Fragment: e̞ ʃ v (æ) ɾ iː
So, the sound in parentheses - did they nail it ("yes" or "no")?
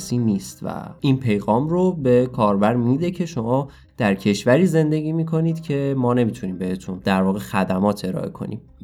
yes